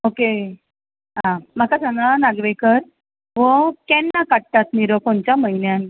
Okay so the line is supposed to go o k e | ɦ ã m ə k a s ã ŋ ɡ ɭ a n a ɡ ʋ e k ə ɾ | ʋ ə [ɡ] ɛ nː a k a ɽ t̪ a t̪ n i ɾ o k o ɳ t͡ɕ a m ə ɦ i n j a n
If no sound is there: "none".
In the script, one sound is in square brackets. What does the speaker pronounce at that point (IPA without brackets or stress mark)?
k